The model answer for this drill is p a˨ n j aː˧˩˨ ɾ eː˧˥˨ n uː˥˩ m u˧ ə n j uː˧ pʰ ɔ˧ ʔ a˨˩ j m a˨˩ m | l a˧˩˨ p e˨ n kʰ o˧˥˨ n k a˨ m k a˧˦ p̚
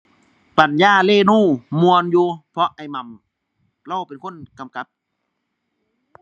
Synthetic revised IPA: p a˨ n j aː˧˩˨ l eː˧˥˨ n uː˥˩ m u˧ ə n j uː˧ pʰ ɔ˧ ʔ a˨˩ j m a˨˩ m | l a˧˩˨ p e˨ n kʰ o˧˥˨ n k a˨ m k a˧˦ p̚